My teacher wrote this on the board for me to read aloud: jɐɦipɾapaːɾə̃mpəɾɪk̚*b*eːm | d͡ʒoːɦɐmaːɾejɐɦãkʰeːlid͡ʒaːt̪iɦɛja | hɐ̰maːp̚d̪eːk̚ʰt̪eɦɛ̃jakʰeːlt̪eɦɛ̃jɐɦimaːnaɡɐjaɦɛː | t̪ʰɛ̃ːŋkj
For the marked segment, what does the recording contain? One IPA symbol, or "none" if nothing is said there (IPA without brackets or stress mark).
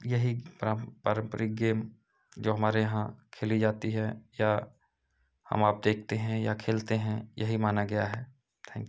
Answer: ɡ